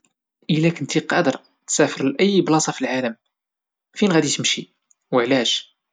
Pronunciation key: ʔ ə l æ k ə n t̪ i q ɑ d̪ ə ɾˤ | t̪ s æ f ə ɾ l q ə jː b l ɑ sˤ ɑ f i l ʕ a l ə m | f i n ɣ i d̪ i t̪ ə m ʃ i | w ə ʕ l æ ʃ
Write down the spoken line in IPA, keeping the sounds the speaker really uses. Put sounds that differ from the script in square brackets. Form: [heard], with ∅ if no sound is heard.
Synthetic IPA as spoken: ʔ ə l æ k ə n t̪ i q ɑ d̪ ə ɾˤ | t̪ s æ f ə ɾ l [ʔ] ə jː b l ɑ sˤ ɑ f i l ʕ a l ə m | f i n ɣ [æ] d̪ i t̪ ə m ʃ i | w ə ʕ l æ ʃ